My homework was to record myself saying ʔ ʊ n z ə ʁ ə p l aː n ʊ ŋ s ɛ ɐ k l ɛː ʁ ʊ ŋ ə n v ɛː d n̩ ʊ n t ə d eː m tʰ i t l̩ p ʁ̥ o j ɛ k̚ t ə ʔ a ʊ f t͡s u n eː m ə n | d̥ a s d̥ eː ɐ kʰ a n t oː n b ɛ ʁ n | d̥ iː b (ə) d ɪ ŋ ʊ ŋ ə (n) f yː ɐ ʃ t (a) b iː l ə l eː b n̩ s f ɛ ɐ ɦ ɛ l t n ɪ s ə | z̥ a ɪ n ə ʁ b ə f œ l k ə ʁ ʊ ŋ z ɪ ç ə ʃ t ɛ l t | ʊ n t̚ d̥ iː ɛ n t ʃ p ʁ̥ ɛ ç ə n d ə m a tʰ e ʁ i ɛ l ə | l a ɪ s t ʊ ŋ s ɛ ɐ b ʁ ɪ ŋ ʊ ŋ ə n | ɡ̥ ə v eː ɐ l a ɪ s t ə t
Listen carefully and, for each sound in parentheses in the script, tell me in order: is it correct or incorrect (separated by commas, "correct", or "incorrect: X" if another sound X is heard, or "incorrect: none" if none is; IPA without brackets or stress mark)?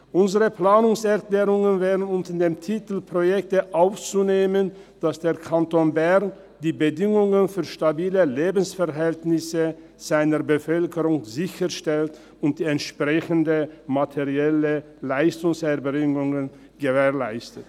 correct, correct, correct